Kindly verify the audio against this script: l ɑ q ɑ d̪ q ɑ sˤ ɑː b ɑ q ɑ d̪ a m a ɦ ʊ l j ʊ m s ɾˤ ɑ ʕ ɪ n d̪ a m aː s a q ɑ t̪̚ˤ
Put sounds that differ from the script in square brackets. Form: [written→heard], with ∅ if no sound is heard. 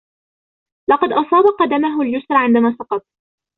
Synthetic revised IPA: l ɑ q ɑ d̪ [q→ʔ] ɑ sˤ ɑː b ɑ q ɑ d̪ a m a ɦ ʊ l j ʊ [m→∅] s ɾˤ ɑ ʕ ɪ n d̪ a m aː s [a→ɑ] q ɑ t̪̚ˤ

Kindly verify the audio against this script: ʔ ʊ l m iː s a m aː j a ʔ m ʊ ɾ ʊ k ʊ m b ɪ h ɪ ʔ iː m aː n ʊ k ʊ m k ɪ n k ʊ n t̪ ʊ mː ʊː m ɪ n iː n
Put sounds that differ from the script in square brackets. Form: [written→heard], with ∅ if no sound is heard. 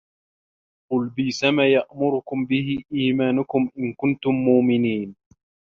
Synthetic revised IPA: [ʔ→q] ʊ l [m→b] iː s a m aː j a ʔ m ʊ ɾ ʊ k ʊ m b ɪ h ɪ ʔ iː m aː n ʊ k ʊ m [k→ʔ] ɪ n k ʊ n t̪ ʊ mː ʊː m ɪ n iː n

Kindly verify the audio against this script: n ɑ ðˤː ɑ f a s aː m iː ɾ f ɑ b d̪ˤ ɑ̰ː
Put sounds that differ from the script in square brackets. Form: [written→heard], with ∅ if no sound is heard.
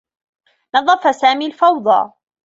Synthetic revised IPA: n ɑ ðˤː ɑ f a s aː m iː [ɾ→l] f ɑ [b→w] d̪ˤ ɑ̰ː

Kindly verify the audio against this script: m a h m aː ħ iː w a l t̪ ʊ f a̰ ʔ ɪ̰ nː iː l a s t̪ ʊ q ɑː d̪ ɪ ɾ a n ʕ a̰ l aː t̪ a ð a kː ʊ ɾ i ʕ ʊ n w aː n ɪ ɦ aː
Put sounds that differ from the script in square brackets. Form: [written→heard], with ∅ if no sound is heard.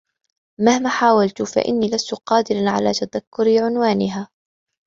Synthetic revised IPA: m a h m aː ħ [iː→aː] w a l t̪ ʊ f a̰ ʔ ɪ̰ nː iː l a s t̪ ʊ q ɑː d̪ ɪ ɾ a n ʕ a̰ l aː t̪ a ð a kː ʊ ɾ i ʕ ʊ n w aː n ɪ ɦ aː

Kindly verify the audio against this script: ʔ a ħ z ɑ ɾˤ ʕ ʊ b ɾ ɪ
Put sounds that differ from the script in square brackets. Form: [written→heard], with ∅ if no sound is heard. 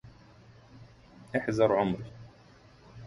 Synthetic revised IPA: ʔ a ħ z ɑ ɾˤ ʕ ʊ [b→m] ɾ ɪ

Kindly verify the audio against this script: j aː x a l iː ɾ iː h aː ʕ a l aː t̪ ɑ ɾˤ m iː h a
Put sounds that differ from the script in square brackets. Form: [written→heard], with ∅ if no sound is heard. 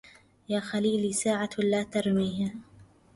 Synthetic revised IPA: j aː x a l iː [ɾ→l] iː [h→s] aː ʕ a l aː t̪ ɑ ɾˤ m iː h a

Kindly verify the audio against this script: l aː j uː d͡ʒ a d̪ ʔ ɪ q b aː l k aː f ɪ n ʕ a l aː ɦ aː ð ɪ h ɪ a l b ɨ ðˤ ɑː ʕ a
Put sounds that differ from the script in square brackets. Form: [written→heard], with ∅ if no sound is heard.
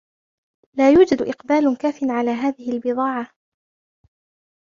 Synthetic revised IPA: l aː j uː d͡ʒ a d̪ ʔ ɪ q b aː l k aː f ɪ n ʕ a l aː ɦ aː ð ɪ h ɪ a l b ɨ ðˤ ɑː ʕ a

